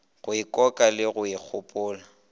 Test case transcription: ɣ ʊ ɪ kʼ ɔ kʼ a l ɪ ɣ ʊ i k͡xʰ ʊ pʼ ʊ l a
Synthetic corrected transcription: ɣ ʊ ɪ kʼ ɔ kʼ a l ɪ ɣ ʊ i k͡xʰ ʊ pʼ ʊː l a

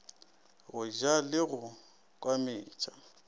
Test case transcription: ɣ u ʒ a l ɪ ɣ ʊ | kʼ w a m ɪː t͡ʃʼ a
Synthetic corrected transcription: ɣ ʊ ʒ a l ɪ ɣ ʊ | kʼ w a m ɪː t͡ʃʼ a

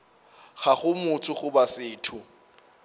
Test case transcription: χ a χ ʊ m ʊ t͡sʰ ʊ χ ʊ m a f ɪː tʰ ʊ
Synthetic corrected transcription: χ a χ ʊ m ʊ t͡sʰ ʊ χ ʊ b a s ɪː tʰ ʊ

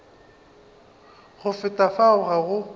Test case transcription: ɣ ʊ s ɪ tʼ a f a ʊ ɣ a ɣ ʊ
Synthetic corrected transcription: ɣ ʊ f ɪ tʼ a f a ʊ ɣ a ɣ ʊ

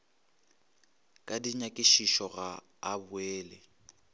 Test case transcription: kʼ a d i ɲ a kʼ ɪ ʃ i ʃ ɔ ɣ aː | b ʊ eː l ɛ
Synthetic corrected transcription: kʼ a d i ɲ a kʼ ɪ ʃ i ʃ ɔ ɣ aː | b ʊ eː l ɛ

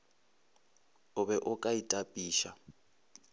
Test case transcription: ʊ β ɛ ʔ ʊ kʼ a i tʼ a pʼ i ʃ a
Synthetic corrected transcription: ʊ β ɛ ʔ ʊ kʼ a i tʼ a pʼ iː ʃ a

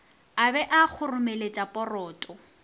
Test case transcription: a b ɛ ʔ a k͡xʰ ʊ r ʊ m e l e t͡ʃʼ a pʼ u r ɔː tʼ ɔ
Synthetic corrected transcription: a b ɛ ʔ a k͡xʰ ʊ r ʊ m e l e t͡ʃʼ a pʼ ɔ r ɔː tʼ ɔ

